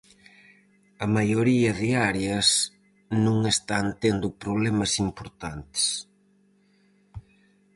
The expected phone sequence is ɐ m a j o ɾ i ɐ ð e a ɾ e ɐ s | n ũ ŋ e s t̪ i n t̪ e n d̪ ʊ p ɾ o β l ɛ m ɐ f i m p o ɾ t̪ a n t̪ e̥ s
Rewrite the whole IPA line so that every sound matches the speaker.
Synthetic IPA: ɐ m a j o ɾ i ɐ ð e a ɾ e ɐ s | n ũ ŋ e s t̪ a n t̪ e n d̪ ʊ p ɾ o β l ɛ m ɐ s i m p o ɾ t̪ a n t̪ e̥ s